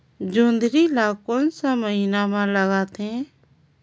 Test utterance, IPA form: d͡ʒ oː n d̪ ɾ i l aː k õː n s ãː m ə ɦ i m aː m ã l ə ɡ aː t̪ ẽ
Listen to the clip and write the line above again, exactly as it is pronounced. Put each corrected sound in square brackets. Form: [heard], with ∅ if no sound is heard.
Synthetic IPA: d͡ʒ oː n d̪ ɾ i l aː k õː n s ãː m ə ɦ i [n] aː m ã l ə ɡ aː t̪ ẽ